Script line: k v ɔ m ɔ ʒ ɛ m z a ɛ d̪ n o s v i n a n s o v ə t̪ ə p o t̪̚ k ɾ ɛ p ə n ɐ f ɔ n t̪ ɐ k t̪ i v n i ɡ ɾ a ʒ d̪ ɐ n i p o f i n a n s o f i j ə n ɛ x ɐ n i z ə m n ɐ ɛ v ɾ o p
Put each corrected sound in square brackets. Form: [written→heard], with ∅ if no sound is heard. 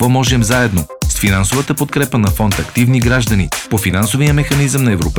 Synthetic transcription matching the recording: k v ɔ m ɔ ʒ ɛ m z a ɛ d̪ n o s [v→f] i n a n s o v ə t̪ ə p o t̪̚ k ɾ ɛ p ə n ɐ f ɔ n t̪ ɐ k t̪ i v n i ɡ ɾ a ʒ d̪ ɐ n i p o f i n a n s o [f→v] i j ə [n→m] ɛ x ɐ n i z ə m n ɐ ɛ v ɾ o p